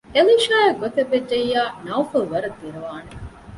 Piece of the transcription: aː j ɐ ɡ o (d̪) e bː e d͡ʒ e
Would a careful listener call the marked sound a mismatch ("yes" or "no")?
yes